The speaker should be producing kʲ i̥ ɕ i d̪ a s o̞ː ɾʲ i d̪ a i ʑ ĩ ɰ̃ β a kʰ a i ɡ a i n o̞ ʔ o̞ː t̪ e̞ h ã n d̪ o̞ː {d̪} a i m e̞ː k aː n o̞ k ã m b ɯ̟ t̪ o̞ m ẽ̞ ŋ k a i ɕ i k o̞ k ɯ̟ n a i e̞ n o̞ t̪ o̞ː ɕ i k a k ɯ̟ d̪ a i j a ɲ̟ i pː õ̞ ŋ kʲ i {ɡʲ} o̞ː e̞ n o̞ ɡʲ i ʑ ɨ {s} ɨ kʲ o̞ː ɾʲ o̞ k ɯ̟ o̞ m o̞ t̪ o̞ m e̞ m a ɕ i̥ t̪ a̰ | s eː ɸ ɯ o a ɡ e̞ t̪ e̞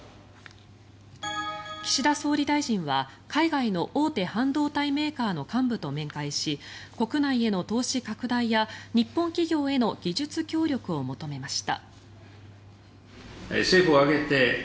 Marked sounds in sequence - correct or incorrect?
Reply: incorrect, correct, incorrect

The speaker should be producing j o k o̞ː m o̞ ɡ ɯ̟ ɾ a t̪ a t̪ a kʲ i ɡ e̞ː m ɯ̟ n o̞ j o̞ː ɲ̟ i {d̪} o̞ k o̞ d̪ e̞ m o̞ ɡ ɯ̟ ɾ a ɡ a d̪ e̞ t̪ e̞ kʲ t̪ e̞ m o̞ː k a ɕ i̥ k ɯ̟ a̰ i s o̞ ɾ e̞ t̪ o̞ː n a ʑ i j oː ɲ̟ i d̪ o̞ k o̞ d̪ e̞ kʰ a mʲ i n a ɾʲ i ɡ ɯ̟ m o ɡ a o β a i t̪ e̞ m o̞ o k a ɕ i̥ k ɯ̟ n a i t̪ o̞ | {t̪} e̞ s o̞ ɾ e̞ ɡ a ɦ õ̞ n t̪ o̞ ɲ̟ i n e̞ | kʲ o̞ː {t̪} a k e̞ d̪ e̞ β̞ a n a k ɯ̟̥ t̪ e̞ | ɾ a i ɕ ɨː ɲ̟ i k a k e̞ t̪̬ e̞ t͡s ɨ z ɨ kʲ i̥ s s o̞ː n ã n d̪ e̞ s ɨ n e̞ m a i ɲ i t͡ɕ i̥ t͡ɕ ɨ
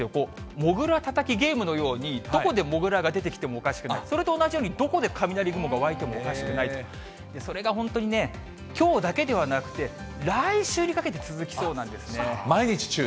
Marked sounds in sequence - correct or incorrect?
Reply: correct, incorrect, incorrect

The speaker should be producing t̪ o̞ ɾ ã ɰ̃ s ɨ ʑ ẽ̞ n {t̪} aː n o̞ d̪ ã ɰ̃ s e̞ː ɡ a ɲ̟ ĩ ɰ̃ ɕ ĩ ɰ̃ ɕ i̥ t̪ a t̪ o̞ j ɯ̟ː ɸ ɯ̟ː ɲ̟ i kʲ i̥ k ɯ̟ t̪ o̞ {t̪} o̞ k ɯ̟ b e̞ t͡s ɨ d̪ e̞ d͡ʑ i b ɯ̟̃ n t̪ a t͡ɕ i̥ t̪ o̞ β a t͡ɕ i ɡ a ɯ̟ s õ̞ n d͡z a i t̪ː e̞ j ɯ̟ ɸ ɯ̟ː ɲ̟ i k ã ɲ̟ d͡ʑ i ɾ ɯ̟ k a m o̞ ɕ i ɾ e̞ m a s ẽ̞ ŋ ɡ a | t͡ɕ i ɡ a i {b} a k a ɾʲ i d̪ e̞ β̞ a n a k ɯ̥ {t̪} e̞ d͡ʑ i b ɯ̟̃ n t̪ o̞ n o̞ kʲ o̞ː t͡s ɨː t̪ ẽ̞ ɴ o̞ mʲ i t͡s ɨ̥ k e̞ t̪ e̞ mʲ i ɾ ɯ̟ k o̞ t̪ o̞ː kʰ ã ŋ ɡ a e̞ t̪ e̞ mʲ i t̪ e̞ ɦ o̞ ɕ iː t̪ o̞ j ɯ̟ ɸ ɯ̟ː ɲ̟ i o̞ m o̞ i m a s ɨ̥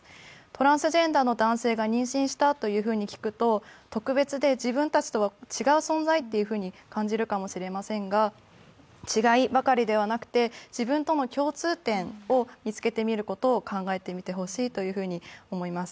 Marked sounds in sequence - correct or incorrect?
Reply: incorrect, correct, correct, correct

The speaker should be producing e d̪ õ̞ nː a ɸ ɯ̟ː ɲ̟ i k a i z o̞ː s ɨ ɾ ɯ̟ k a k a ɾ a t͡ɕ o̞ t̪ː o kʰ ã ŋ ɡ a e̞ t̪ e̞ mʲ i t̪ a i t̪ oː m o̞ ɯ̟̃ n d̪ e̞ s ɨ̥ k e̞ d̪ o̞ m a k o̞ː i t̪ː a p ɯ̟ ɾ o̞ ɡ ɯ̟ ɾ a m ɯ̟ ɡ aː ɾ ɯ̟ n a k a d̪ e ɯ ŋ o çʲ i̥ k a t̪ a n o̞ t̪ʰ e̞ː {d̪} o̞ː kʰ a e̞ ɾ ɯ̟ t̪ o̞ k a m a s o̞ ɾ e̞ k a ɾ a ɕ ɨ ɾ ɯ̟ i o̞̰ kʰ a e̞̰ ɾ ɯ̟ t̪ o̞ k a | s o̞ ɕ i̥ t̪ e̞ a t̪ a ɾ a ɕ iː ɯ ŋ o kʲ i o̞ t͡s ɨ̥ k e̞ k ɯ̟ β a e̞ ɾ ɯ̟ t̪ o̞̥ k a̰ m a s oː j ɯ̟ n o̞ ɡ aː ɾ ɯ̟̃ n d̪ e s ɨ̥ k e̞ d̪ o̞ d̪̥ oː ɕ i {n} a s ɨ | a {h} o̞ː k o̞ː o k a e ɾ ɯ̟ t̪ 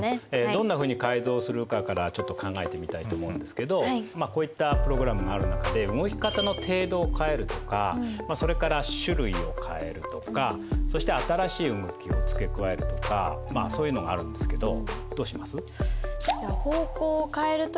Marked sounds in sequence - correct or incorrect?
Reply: correct, incorrect, correct

